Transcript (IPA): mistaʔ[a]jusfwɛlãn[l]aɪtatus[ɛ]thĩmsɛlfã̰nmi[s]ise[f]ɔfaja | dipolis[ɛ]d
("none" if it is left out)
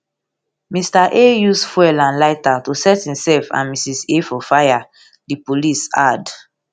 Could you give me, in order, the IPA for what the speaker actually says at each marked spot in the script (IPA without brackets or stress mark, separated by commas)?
e, l, ɛ, s, f, a